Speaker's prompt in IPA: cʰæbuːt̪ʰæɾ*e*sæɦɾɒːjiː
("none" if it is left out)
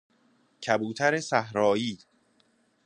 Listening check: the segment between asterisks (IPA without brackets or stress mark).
e